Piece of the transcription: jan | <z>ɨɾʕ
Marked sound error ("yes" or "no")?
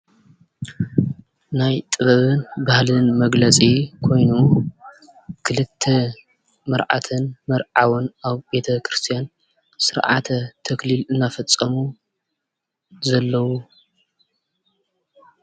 yes